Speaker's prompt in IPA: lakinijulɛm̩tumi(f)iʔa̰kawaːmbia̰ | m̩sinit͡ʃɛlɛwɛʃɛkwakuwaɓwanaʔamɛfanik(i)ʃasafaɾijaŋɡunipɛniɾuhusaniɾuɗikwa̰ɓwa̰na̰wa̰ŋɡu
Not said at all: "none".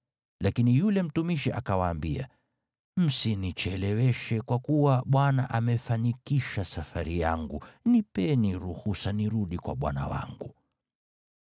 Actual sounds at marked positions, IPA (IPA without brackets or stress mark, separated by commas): ʃ, i